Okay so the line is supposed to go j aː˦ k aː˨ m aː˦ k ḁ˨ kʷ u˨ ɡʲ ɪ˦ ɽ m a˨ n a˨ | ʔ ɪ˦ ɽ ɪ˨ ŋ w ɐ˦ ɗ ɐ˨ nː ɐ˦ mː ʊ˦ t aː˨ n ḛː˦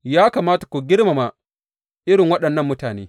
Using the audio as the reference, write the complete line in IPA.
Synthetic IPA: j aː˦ k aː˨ m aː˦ t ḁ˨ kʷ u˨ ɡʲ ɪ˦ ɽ m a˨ m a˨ | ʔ ɪ˦ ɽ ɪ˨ ŋ w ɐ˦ ɗ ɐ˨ nː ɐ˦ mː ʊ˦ t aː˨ n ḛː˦